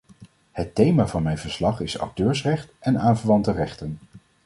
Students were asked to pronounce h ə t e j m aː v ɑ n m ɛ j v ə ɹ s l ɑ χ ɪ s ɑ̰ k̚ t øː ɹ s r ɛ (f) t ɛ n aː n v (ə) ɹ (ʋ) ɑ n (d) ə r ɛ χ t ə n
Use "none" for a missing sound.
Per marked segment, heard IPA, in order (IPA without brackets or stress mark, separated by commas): χ, ə, ʋ, t